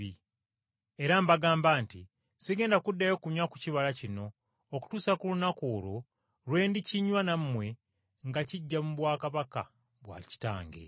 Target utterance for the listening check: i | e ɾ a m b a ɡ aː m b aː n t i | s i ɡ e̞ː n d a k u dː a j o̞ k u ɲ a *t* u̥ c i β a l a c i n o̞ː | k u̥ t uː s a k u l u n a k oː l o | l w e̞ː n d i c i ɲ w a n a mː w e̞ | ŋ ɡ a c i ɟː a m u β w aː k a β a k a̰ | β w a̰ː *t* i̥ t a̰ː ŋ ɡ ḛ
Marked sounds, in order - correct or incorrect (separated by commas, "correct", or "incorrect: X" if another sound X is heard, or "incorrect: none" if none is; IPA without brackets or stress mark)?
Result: incorrect: k, incorrect: c